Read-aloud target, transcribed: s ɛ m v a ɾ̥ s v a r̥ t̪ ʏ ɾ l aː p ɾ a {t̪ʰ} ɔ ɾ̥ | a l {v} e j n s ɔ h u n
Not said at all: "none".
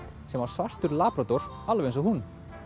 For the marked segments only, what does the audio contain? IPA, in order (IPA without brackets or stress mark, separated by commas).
t̪, v